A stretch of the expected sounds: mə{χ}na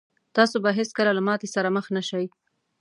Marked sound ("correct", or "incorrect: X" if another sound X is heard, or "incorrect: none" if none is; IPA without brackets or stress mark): incorrect: x